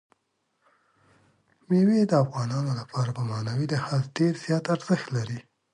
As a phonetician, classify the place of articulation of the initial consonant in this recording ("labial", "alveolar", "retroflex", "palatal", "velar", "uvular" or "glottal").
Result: labial